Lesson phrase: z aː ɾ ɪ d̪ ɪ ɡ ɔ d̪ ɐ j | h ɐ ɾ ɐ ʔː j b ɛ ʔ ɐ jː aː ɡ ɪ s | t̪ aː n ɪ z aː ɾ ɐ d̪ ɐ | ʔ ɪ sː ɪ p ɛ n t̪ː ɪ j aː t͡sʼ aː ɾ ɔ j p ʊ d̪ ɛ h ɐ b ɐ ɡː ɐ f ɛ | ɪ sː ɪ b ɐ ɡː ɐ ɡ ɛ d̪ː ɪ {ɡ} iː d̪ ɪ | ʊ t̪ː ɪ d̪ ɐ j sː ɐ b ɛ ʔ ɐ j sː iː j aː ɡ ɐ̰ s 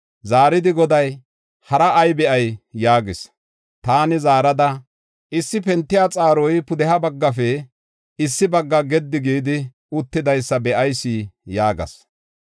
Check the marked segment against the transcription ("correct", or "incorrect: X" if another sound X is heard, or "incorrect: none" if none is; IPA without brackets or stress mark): correct